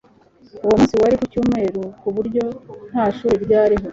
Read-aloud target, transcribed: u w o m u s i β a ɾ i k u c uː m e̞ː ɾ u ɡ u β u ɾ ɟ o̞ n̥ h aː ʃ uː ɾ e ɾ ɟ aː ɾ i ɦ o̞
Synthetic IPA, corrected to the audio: u w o m u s i w a ɾ i k u c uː m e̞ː ɾ u k u β u ɾ ɟ o̞ n̥ h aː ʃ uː ɾ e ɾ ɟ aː ɾ i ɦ o̞